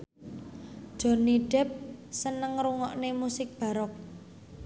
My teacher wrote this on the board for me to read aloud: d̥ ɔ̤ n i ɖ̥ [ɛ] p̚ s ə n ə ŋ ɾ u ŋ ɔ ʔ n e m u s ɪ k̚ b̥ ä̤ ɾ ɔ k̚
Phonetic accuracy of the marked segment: correct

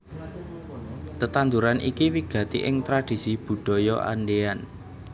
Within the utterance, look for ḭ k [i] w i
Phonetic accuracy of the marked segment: correct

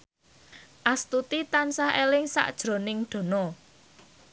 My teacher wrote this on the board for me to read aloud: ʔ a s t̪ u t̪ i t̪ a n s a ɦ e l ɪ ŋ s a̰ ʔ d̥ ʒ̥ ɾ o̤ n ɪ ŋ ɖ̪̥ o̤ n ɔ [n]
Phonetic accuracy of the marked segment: incorrect: none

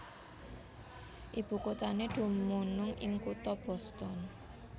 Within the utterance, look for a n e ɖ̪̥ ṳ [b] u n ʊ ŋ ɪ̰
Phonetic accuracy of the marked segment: incorrect: m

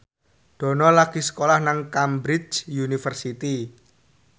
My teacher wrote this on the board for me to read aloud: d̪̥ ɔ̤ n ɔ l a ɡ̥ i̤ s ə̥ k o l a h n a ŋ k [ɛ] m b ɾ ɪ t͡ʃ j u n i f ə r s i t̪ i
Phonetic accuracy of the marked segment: incorrect: a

